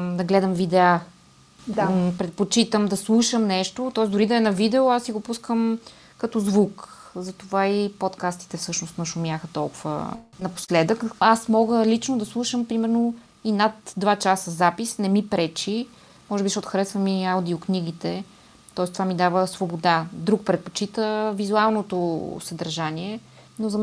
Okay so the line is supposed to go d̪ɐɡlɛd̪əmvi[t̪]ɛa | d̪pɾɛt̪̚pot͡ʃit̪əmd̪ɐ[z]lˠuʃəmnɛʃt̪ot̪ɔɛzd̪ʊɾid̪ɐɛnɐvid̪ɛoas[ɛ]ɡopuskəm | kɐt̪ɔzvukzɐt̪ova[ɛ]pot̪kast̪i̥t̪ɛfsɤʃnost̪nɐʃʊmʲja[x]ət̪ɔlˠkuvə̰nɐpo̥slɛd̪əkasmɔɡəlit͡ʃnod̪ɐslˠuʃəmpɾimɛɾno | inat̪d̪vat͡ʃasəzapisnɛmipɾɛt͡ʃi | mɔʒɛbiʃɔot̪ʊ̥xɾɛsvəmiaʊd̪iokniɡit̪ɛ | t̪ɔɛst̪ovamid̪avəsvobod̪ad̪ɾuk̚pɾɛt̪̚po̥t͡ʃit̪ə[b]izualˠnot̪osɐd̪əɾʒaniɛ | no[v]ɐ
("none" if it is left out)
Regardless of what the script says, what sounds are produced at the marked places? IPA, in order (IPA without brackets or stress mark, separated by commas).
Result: d̪, s, i, i, x, v, z